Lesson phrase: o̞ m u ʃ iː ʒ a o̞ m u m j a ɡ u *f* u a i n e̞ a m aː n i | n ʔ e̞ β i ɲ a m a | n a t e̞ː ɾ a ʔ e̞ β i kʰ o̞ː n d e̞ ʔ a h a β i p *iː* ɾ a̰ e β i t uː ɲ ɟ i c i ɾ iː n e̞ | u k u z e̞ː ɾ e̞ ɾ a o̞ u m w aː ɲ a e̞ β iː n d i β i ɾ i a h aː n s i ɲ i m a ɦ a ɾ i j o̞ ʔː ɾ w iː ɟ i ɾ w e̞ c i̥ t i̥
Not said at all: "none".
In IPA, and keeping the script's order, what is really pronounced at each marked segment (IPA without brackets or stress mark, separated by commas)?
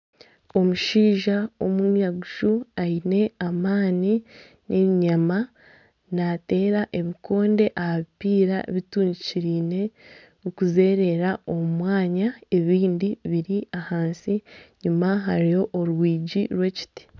ʃ, iː